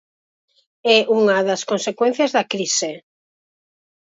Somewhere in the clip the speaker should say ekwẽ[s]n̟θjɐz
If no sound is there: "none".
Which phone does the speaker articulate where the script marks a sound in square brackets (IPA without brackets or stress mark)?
none